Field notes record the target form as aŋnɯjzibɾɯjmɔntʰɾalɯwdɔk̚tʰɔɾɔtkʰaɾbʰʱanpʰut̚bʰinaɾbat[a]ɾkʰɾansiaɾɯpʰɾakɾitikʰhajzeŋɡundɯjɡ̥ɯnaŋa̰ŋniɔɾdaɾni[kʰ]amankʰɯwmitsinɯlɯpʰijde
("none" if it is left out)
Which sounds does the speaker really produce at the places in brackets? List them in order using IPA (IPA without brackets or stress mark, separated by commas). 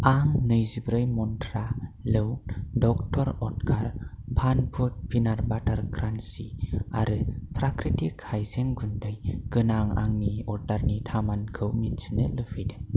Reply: a, tʰ